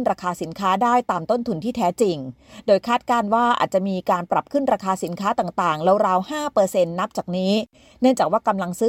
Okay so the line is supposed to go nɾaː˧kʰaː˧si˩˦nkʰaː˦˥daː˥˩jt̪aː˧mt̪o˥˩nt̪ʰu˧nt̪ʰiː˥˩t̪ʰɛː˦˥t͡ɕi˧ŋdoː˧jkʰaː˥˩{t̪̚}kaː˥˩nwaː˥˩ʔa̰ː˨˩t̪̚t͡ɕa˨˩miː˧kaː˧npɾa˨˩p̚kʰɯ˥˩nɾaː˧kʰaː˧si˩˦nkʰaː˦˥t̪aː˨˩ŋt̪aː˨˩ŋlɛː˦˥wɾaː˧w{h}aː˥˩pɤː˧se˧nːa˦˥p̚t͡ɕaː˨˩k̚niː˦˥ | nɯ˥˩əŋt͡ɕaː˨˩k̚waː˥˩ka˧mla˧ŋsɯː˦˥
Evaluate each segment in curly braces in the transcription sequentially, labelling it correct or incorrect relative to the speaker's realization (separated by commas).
correct, correct